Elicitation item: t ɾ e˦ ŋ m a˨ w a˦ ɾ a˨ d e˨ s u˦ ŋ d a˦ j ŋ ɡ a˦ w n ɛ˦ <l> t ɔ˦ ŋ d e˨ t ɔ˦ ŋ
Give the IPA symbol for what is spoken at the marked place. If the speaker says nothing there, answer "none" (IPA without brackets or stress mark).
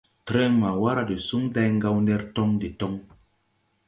ɾ